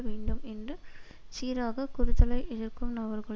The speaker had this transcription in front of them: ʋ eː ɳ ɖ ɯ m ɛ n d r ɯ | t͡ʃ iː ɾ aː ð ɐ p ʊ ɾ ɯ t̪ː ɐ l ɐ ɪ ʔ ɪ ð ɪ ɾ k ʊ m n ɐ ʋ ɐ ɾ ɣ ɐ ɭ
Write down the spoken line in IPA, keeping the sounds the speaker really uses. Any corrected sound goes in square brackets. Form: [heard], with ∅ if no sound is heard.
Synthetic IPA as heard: ʋ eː ɳ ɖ ɯ m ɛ n d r ɯ | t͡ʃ iː ɾ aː [ɣ] ɐ [k] ʊ ɾ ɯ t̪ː ɐ l ɐ ɪ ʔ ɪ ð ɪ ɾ k [ɯ] m n ɐ ʋ ɐ ɾ ɣ ɐ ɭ